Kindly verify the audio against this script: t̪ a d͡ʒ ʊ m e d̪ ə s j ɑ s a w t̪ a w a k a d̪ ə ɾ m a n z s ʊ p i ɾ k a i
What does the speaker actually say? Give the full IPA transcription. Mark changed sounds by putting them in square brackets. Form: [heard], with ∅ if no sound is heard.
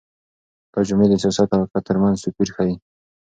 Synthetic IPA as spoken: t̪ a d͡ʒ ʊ m e d̪ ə s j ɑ s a [∅] t̪ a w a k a [t̪] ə ɾ m a n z s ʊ p i ɾ [x] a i